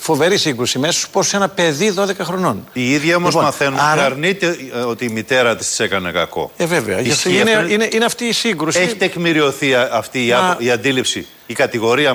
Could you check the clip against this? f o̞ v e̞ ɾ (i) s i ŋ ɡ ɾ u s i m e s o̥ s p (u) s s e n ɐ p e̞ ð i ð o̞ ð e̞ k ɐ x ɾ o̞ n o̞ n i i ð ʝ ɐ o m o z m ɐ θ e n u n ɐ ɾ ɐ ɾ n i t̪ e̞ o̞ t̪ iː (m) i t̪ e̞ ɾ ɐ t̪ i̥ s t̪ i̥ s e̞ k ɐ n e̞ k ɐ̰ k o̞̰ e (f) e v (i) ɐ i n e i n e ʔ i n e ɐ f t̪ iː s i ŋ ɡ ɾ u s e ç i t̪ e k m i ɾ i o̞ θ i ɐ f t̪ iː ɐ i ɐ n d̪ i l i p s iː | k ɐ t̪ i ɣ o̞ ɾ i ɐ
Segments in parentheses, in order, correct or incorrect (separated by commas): correct, incorrect, correct, incorrect, incorrect